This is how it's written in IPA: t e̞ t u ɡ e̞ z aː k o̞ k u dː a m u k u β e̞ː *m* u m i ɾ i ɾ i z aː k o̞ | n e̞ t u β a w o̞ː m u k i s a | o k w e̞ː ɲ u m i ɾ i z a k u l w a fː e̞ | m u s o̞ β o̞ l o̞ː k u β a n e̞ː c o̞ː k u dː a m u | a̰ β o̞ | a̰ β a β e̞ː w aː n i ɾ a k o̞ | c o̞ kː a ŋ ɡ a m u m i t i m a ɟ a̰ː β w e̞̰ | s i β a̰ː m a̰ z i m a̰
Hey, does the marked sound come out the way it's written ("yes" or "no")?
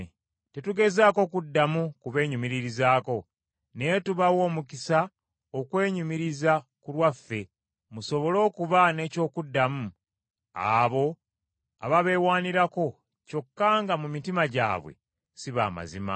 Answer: no